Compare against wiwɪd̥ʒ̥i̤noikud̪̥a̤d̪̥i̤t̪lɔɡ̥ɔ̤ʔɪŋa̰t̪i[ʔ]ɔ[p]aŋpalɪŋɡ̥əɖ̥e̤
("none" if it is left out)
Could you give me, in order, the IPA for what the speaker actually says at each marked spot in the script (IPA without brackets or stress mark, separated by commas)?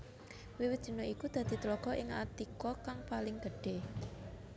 k, k